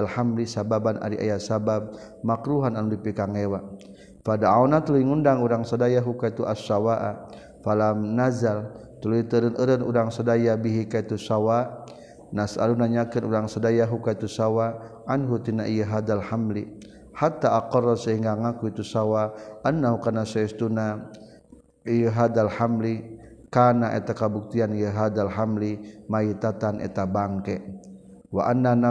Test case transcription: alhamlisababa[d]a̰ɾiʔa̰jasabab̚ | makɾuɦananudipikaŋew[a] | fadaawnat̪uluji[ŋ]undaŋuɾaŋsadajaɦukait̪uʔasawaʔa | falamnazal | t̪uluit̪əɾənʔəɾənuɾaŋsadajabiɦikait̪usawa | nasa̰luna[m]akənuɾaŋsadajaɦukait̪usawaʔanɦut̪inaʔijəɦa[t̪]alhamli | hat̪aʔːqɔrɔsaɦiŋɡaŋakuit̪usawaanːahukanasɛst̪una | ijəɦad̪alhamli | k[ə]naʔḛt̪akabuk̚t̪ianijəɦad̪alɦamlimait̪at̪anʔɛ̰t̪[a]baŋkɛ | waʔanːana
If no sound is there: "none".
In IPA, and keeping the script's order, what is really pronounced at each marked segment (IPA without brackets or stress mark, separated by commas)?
n, a, ŋ, ɲ, d̪, a, a